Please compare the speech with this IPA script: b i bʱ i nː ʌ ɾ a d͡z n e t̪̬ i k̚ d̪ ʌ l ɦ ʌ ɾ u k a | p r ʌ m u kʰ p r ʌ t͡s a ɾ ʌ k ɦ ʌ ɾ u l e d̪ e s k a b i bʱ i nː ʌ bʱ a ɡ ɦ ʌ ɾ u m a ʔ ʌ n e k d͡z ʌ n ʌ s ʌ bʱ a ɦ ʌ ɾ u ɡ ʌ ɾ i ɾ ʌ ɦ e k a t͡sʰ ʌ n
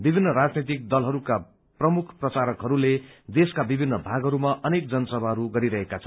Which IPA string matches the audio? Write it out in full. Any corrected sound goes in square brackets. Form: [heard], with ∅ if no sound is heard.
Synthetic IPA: b i bʱ i nː ʌ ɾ a d͡z n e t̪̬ i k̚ d̪ ʌ l ɦ ʌ ɾ u k a | p r ʌ m u kʰ p r ʌ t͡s a ɾ ʌ k ɦ ʌ ɾ u l e d̪ e s k a b i bʱ i nː ʌ bʱ a ɡ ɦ ʌ ɾ u m a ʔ ʌ n e k d͡z ʌ n ʌ s ʌ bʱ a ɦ ʌ ɾ u ɡ ʌ ɾ i ɾ ʌ ɦ e k a t͡sʰ ʌ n